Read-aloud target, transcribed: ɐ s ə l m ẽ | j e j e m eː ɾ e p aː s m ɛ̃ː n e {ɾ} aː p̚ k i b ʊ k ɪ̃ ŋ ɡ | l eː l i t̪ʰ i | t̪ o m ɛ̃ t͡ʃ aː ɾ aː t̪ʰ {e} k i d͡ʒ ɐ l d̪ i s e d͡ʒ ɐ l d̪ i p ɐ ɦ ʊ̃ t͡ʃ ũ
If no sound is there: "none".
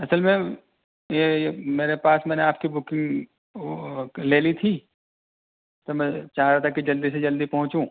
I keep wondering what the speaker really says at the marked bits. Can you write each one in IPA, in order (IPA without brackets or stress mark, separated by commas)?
none, a